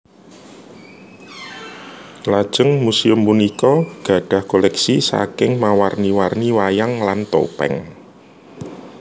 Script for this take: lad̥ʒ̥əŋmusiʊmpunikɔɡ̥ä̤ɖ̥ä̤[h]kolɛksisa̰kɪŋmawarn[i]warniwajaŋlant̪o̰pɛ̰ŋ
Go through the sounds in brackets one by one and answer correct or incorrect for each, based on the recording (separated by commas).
correct, correct